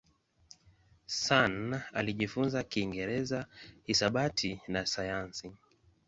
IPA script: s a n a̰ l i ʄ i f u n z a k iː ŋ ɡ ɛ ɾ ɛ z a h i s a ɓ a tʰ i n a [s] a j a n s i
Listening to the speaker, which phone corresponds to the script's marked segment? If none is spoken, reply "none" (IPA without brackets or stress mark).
s